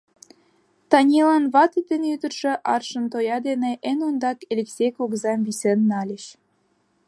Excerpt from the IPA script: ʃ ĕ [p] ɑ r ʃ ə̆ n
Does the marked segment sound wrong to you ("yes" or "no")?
yes